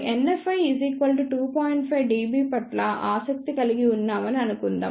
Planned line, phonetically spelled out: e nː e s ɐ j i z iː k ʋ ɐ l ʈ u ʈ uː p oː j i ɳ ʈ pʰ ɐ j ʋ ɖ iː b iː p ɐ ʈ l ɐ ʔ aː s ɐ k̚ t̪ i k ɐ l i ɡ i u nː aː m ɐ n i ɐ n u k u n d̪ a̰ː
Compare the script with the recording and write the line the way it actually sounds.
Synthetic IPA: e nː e f ɐ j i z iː k ʋ ɐ l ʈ u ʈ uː p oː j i ɳ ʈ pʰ ɐ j ʋ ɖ iː b iː p ɐ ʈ l ɐ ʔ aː s ɐ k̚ t̪ i k ɐ l i ɡ i u nː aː m ɐ n i ɐ n u k u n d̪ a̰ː